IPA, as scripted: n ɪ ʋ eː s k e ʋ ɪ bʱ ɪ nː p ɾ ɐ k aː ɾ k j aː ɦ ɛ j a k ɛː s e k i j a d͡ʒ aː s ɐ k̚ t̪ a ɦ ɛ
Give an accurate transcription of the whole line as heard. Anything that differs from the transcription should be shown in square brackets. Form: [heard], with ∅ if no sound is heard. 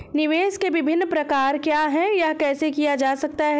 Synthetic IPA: n ɪ ʋ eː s k e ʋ ɪ bʱ ɪ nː p ɾ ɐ k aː ɾ k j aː ɦ ɛ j a k ɛː s e k i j a d͡ʒ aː s ɐ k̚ t̪ a ɦ ɛ

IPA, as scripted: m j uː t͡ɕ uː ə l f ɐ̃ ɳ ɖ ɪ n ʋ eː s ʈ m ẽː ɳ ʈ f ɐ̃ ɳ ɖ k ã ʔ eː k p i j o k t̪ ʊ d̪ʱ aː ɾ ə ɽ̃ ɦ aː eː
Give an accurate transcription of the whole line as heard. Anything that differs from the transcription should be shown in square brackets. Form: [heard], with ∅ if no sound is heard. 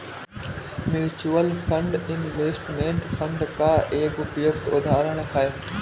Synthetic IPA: m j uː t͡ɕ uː ə l f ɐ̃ ɳ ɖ ɪ n ʋ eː s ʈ m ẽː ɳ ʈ f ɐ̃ ɳ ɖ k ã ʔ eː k p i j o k t̪ ʊ d̪ʱ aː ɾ ə ɽ̃ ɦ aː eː

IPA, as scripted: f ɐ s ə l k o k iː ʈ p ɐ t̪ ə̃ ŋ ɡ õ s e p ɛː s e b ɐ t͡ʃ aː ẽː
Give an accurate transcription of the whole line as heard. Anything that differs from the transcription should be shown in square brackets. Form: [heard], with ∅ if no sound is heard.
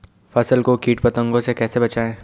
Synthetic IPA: f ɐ s ə l k o k iː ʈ p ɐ t̪ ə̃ ŋ ɡ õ s e [k] ɛː s e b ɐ t͡ʃ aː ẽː

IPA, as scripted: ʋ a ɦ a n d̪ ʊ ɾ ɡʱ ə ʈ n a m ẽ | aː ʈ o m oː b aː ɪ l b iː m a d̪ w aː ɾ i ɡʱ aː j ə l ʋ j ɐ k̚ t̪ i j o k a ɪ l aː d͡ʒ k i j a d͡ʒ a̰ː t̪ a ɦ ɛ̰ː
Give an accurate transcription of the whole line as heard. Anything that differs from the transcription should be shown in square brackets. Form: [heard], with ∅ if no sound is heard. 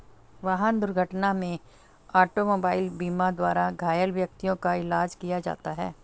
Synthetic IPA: ʋ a ɦ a n d̪ ʊ ɾ ɡʱ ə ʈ n a m ẽ | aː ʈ o m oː b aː ɪ l b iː m a d̪ w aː ɾ [a] ɡʱ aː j ə l ʋ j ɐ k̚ t̪ i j [õ] k a ɪ l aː d͡ʒ k i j a d͡ʒ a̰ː t̪ a ɦ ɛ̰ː

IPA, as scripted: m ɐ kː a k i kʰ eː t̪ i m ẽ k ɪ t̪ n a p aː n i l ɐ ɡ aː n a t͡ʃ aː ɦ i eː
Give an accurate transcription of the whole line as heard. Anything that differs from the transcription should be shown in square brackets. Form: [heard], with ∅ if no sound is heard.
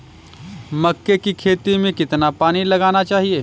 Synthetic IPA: m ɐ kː [e] k i kʰ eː t̪ i m ẽ k ɪ t̪ n a p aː n i l ɐ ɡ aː n a t͡ʃ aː ɦ i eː

